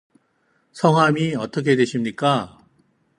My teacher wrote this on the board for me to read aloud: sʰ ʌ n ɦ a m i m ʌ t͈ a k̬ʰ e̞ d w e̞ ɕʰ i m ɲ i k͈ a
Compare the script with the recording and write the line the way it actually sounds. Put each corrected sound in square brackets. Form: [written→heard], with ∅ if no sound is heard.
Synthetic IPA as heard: sʰ ʌ [n→ŋ] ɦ a m i [m→∅] ʌ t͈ [a→ʌ] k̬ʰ e̞ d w e̞ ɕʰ i m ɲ i k͈ a